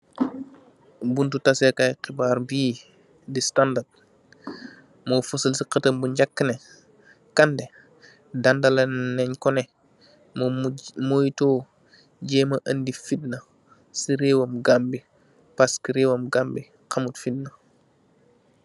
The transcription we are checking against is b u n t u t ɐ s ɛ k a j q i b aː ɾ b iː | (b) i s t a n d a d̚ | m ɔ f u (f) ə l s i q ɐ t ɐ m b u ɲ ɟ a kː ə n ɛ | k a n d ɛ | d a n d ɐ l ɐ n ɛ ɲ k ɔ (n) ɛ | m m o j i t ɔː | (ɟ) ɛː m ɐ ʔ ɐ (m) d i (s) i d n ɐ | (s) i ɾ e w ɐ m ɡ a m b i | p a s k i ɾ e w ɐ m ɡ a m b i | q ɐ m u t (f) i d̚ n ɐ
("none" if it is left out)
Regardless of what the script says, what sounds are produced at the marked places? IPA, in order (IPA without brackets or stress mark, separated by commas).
d, s, n, ɟ, n, f, s, f